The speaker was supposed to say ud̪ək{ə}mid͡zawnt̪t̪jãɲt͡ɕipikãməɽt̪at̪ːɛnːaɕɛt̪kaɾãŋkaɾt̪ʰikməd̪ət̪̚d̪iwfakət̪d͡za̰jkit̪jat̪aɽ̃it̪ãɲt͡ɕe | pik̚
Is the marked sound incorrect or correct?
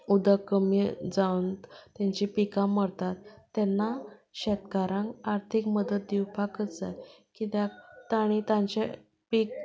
correct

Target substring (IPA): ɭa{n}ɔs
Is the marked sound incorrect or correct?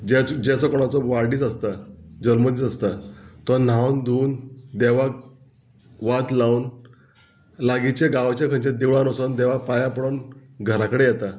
correct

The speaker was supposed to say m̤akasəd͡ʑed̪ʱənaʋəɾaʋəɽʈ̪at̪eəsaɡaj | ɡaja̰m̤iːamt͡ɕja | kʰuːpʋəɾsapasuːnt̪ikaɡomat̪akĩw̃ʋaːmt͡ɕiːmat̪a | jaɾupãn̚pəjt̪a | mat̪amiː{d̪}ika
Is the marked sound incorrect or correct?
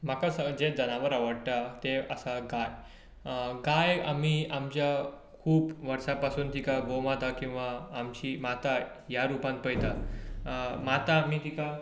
incorrect: t̪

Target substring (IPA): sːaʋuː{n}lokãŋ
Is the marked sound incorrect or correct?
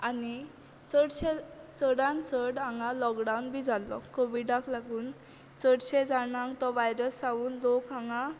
correct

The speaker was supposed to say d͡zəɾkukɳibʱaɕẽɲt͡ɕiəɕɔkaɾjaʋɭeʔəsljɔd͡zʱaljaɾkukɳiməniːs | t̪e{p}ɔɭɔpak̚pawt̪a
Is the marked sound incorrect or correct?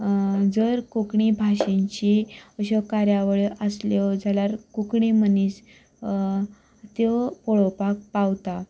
correct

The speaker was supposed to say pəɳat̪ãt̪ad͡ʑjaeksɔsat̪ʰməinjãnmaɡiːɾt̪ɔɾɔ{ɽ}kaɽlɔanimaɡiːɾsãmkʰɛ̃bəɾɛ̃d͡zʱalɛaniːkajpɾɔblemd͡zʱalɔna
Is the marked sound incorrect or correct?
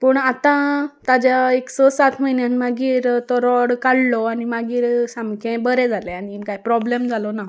correct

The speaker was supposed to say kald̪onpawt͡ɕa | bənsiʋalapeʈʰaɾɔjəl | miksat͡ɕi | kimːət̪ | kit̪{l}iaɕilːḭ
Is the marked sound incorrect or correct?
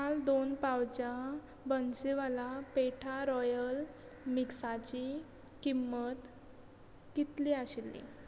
correct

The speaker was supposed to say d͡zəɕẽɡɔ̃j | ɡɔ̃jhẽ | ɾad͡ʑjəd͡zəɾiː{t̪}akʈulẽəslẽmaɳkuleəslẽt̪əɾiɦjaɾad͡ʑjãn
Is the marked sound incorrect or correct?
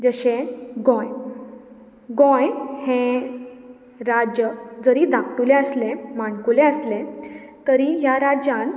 incorrect: d̪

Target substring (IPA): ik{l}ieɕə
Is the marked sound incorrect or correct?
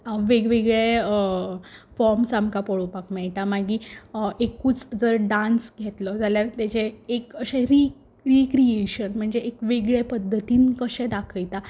incorrect: ɾ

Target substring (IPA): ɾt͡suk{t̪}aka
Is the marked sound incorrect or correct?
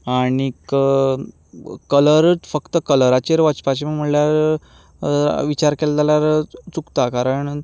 correct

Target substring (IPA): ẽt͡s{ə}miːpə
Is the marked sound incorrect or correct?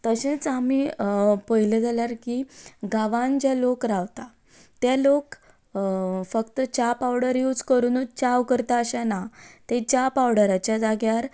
incorrect: a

